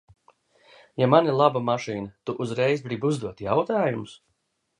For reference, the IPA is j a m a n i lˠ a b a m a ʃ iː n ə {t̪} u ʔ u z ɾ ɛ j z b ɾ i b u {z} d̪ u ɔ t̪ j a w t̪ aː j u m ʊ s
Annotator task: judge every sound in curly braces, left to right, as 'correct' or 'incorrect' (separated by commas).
correct, correct